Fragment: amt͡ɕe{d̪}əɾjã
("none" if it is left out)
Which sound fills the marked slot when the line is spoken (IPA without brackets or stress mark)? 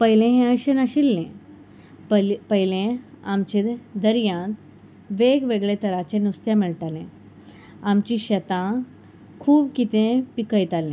d̪